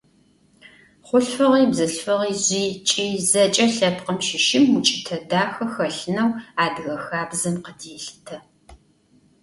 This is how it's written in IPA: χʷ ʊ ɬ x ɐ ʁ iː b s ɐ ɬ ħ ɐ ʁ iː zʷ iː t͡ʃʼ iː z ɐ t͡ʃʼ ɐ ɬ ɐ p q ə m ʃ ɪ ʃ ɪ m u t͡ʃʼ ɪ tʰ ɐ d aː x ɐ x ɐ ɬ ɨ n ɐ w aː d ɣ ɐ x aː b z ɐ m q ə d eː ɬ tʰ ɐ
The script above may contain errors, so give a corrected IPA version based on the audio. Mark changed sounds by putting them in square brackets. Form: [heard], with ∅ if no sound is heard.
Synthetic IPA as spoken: χʷ ʊ ɬ [f] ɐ ʁ iː b [z] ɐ ɬ [f] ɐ ʁ iː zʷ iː t͡ʃʼ iː z ɐ t͡ʃʼ ɐ ɬ ɐ p q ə m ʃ ɪ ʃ ɪ m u t͡ʃʼ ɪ tʰ ɐ d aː x ɐ x ɐ ɬ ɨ n ɐ w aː d ɣ ɐ x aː b z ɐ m q ə d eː ɬ tʰ ɐ